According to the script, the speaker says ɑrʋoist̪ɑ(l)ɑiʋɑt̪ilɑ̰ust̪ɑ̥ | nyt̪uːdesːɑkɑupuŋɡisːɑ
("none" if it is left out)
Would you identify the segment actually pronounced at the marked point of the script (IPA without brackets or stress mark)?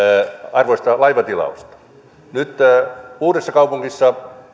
l